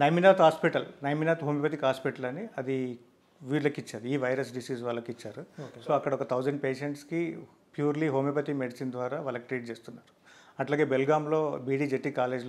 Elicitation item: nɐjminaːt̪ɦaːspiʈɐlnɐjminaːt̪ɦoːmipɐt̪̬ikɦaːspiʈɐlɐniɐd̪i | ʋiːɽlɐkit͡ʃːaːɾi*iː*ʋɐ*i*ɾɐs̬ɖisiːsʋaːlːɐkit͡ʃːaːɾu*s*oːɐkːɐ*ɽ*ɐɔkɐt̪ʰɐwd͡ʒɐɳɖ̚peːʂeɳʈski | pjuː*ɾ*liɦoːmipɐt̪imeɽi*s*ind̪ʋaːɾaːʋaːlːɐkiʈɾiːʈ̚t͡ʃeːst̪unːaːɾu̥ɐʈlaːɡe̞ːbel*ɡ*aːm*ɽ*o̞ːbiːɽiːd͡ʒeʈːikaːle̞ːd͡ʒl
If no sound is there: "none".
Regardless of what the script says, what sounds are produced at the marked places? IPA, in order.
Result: iː, j, s, ɽ, ɾ, s, ɡ, l

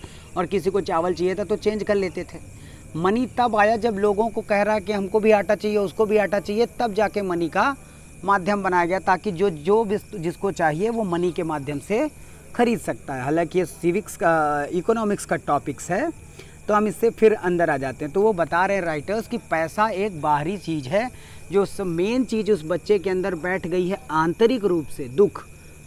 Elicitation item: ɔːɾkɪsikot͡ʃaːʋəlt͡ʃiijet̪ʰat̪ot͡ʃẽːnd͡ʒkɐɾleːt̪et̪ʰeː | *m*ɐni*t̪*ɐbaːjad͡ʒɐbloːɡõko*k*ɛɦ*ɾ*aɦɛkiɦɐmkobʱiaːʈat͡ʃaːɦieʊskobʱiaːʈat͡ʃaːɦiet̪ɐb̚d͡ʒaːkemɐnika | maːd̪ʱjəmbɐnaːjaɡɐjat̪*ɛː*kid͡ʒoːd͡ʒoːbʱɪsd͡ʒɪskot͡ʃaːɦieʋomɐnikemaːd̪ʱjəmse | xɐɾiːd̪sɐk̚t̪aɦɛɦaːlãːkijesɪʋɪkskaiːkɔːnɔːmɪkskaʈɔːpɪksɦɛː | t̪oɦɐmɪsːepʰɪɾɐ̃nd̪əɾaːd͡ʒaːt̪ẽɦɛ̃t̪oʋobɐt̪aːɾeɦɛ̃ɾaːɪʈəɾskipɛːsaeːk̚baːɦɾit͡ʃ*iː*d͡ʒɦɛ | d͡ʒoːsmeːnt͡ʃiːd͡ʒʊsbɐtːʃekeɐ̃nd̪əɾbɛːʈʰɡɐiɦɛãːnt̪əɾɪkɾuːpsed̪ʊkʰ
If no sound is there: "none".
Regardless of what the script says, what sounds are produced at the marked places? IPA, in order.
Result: m, t̪, k, ɾ, aː, iː

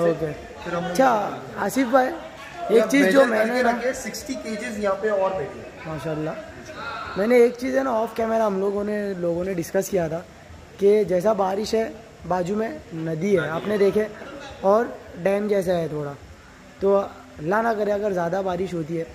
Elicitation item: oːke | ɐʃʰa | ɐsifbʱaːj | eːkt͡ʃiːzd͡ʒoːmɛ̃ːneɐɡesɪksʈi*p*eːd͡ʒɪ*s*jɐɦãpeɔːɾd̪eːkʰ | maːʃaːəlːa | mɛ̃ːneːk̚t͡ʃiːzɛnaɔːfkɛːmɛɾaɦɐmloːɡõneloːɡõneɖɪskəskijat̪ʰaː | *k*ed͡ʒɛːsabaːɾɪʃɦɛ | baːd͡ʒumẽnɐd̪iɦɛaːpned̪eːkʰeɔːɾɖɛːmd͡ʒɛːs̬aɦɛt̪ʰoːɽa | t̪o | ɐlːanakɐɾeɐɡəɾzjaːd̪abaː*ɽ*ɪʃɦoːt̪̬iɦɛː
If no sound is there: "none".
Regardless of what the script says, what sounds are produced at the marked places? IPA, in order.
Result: k, z, k, ɾ

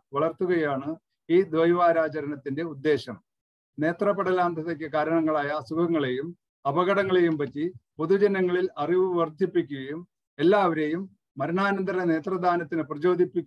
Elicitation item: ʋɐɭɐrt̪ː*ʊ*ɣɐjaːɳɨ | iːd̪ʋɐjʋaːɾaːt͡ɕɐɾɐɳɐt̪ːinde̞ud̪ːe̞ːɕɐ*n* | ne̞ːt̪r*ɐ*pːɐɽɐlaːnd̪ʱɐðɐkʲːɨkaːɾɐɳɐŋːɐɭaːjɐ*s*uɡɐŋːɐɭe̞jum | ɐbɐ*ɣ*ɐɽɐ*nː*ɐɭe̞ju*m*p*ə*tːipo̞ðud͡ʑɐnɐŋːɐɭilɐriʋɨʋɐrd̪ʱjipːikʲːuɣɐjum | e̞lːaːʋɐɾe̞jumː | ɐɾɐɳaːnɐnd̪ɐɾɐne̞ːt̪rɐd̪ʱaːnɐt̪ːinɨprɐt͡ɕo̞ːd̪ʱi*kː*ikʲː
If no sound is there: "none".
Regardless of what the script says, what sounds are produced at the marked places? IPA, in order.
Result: u, m, ɐ, s, ɣ, ŋː, m, ɐ, pː

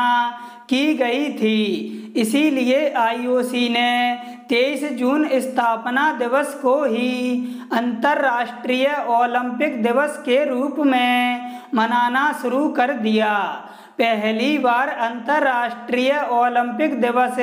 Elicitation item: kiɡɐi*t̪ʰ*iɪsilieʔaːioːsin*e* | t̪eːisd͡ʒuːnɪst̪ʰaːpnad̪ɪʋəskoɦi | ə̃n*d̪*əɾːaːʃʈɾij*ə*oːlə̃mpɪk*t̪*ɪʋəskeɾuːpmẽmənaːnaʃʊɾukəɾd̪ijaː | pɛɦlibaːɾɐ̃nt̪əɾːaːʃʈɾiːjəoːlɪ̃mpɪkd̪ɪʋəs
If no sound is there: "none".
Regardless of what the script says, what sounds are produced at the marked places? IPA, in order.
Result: t̪ʰ, e, t̪, ə, d̪

